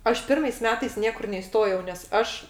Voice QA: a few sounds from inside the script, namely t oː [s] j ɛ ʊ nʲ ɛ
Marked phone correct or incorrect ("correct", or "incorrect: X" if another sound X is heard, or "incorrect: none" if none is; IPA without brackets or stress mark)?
incorrect: none